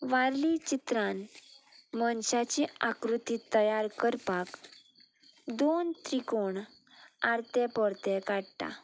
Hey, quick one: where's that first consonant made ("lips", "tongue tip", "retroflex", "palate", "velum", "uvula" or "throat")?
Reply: lips